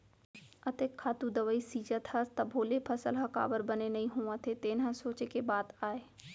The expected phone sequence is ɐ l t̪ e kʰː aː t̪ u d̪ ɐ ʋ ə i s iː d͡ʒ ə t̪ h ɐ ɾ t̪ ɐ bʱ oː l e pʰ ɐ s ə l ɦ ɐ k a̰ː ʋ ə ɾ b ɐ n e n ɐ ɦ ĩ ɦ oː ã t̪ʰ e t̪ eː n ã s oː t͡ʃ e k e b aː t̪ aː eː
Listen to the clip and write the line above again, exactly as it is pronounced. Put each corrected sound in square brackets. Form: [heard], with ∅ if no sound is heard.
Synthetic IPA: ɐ [∅] t̪ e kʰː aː t̪ u d̪ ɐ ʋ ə i s iː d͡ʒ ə t̪ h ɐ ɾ t̪ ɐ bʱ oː l e pʰ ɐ s ə l ɦ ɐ k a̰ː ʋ ə ɾ b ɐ n e n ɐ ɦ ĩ ɦ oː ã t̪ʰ e t̪ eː n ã s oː t͡ʃ e k e b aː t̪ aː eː